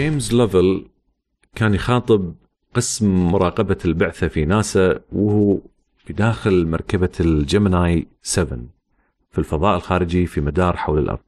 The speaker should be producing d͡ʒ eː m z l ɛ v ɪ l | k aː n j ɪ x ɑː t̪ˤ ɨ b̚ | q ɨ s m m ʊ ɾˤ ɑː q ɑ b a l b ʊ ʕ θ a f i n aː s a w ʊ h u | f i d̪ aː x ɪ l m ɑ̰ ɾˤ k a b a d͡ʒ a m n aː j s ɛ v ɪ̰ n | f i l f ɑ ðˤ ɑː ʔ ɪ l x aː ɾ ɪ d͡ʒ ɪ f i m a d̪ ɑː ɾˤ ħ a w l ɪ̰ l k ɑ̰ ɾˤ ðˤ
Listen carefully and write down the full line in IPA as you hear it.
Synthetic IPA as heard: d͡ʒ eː m z l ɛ v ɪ l | k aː n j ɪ x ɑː t̪ˤ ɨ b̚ | q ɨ s m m ʊ ɾˤ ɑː q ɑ b a l b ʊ ʕ θ a f i n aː s a w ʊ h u | f i d̪ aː x ɪ l m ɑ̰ ɾˤ k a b a d͡ʒ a m n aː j s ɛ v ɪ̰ n | f i l f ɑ ðˤ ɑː ʔ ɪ l x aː ɾ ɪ d͡ʒ i f i m a d̪ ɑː ɾˤ ħ a w l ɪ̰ l ʔ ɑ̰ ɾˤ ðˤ